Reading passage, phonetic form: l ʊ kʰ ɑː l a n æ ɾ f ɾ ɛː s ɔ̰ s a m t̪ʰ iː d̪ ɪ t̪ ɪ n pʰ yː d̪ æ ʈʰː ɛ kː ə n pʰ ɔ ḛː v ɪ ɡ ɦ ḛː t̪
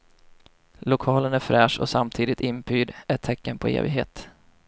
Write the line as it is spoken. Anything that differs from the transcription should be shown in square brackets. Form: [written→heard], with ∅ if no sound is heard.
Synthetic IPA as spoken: l ʊ kʰ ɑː l [a→ə] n æ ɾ f ɾ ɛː [s→ʂ] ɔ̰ s a m t̪ʰ iː d̪ ɪ t̪ ɪ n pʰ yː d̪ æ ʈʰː ɛ kː ə n pʰ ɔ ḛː v ɪ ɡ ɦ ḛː t̪